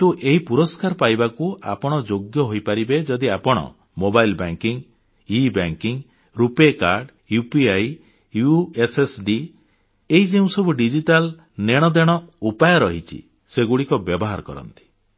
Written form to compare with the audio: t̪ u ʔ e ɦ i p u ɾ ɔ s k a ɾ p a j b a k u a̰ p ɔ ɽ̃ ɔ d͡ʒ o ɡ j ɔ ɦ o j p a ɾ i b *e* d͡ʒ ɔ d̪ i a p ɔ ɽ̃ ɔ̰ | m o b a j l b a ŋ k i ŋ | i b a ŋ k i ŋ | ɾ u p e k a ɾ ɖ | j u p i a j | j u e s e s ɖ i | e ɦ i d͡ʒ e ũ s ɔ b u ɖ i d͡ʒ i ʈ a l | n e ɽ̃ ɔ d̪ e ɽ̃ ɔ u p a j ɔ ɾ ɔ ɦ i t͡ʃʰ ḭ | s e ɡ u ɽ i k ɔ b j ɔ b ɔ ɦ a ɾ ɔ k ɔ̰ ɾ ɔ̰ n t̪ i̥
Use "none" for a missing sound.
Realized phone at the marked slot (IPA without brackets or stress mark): e